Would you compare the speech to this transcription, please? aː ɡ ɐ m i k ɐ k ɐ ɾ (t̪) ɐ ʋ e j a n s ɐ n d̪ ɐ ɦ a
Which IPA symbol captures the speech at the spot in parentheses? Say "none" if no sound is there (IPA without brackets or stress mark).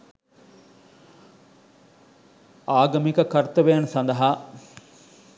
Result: t̪